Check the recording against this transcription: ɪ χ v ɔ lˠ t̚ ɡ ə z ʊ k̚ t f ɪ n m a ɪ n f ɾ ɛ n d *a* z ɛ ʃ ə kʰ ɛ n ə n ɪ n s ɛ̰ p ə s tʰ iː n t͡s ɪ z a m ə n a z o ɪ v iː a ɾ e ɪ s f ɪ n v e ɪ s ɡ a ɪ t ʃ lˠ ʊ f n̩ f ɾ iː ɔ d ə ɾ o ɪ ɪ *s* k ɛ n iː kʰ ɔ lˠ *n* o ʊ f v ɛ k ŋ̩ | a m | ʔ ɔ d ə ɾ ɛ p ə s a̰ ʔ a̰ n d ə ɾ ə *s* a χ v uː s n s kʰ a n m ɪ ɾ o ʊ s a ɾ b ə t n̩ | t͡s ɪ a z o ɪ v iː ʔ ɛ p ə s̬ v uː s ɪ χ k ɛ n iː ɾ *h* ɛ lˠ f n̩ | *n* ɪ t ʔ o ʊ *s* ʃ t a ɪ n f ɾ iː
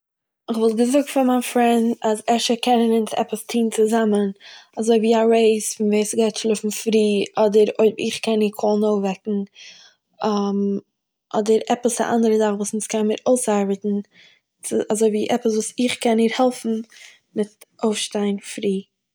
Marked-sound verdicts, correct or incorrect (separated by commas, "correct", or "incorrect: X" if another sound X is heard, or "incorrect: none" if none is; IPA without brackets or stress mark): correct, incorrect: χ, correct, incorrect: z, correct, incorrect: m, incorrect: f